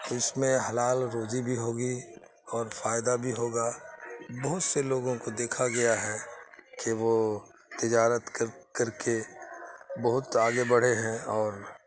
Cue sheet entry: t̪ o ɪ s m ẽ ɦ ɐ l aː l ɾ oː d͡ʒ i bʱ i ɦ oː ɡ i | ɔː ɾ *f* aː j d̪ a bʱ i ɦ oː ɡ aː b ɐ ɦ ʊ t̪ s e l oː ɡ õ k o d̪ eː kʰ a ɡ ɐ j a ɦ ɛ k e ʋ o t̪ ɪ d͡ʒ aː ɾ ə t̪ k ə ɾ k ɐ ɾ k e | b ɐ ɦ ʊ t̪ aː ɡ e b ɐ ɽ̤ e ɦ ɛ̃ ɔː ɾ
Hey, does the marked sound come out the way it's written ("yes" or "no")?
yes